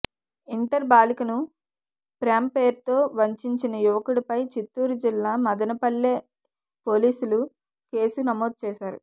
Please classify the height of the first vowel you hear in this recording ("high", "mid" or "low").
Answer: high